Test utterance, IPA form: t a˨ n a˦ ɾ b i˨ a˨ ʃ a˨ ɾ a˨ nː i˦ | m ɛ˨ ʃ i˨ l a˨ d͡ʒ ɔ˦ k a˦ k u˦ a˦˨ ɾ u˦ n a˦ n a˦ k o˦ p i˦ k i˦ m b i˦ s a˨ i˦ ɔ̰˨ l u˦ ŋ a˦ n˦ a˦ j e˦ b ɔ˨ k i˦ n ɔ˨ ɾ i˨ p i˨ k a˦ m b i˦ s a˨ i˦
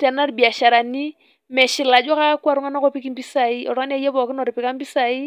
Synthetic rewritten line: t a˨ n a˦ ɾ b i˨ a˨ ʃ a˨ ɾ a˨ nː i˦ | m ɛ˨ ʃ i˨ l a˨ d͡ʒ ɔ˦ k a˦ k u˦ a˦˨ ɾ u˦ ŋ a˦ n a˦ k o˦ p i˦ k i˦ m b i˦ s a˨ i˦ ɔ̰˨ ɾ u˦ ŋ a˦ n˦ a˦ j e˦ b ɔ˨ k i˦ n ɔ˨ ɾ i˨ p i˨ k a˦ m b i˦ s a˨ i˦